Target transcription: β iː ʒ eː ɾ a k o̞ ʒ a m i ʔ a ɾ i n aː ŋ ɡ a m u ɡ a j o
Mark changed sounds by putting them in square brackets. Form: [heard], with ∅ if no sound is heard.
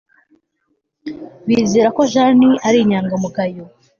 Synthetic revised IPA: β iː [z] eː ɾ a k o̞ ʒ a [n] i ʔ a ɾ i [ɲ] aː ŋ ɡ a m u ɡ a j o